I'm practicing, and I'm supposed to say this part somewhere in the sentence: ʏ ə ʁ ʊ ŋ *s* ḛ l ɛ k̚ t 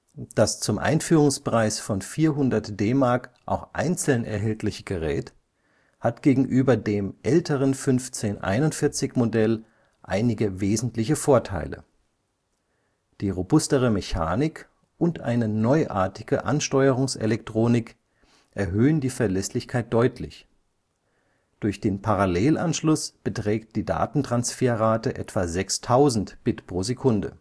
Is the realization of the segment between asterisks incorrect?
no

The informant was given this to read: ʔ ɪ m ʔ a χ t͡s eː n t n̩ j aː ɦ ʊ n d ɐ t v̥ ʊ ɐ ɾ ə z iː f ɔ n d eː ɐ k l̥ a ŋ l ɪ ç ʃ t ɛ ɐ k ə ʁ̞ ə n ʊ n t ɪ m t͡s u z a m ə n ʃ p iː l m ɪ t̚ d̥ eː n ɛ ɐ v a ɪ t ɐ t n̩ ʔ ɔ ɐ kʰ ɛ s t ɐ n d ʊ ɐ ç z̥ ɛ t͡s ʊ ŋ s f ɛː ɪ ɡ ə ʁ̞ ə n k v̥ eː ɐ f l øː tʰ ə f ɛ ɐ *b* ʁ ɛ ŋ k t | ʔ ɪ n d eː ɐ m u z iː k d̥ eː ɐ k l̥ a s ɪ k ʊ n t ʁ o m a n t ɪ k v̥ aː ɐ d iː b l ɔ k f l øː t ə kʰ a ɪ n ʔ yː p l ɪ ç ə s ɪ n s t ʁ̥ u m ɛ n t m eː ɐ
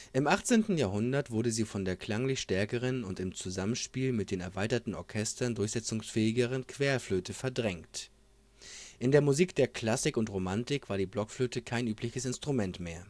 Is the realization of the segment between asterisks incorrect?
yes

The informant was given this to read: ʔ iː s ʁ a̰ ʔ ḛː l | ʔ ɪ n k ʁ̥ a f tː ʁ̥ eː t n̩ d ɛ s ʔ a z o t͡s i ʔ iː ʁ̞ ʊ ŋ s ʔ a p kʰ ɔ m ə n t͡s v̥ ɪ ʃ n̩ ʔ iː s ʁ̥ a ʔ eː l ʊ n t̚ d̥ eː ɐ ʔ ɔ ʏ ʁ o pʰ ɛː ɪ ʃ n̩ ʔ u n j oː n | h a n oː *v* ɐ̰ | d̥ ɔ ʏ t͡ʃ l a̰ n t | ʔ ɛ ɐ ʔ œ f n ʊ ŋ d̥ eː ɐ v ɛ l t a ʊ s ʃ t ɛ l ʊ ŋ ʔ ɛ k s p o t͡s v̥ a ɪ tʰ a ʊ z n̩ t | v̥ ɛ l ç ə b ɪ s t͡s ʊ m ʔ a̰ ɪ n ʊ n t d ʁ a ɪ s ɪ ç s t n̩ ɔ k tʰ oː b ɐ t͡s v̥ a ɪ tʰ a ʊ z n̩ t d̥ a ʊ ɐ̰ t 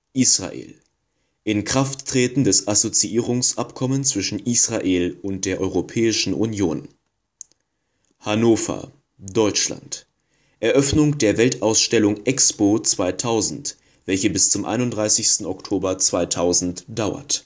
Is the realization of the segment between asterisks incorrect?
yes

